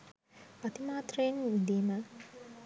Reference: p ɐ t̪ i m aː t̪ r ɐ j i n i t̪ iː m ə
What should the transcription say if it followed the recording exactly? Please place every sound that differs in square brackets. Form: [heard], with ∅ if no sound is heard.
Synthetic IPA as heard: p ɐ t̪ i m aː t̪ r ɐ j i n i [d̪] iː m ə